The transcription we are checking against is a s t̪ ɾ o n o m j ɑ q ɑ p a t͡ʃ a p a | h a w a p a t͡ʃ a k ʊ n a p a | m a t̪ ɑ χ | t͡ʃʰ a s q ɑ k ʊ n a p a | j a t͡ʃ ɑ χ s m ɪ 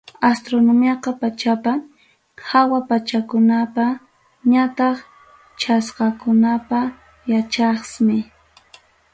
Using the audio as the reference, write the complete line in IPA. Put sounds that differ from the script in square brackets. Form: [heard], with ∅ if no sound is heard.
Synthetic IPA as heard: a s t̪ ɾ o n o m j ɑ q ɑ p a t͡ʃ a p a | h a w a p a t͡ʃ a k ʊ n a p a | [ɲ] a t̪ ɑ χ | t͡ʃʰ a s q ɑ k ʊ n a p a | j a t͡ʃ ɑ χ s m ɪ